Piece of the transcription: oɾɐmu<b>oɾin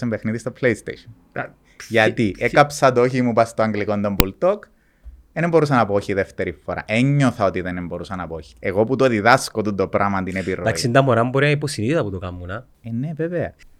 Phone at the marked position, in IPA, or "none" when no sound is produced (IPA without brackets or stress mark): b